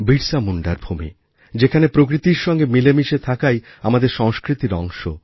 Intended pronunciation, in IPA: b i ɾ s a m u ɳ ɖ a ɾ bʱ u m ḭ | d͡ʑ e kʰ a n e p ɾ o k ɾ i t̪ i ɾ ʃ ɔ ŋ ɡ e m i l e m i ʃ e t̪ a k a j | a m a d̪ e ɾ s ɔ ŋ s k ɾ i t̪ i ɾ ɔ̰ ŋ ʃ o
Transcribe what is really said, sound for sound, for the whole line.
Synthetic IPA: b i ɾ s a m u ɳ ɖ a ɾ bʱ u m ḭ | d͡ʑ e kʰ a n e p ɾ o k ɾ i t̪ i ɾ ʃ ɔ ŋ ɡ e m i l e m i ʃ e t̪ʰ a k a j | a m a d̪ e ɾ ʃ ɔ ŋ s k ɾ i t̪ i ɾ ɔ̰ ŋ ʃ o

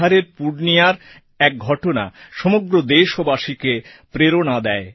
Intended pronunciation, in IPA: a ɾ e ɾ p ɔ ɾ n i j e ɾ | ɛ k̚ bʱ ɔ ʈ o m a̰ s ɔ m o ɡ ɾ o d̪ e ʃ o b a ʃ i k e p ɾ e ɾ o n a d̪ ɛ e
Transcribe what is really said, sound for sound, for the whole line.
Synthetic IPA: a ɾ e ɾ p u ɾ n i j a ɾ | ɛ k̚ ɡʱ ɔ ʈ o n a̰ ʃ ɔ m o ɡ ɾ o d̪ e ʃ o b a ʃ i k e p ɾ e ɾ o n a d̪ ɛ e

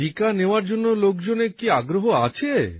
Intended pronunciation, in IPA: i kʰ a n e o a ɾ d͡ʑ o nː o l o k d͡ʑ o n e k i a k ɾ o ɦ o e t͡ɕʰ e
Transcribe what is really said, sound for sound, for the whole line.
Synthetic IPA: i k a n e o a ɾ d͡ʑ o nː o l o k d͡ʑ o n e k i a ɡ ɾ o ɦ o a t͡ɕʰ e

